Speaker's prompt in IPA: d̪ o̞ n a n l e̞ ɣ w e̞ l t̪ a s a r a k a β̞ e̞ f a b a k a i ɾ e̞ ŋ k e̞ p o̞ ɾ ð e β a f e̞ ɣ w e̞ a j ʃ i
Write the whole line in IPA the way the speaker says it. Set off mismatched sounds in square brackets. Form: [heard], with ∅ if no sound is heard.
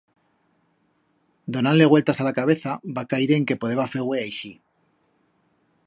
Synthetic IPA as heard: d̪ o̞ n a n l e̞ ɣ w e̞ l t̪ a s a [l] a k a β̞ e̞ [θ] a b a k a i ɾ e̞ ŋ k e̞ p o̞ [∅] ð e β a f e̞ ɣ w e̞ a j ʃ i